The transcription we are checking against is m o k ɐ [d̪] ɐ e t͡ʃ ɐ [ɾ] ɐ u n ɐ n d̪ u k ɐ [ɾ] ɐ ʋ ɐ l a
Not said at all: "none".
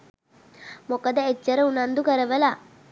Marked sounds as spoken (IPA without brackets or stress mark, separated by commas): d̪, ɾ, ɾ